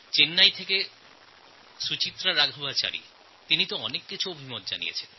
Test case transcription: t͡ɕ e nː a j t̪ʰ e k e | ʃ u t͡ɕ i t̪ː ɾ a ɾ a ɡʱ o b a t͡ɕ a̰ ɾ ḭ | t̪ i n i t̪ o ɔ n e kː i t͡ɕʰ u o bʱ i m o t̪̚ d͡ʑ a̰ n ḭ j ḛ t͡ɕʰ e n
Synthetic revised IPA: t͡ɕ e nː a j t̪ʰ e k e | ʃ u t͡ɕ i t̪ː ɾ a ɾ a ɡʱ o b a t͡ɕ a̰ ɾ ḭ | t̪ i n i t̪ o ɔ n e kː i t͡ɕʰ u o bʱ i m o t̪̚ d͡ʑ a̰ n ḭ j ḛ t͡ɕʰ e n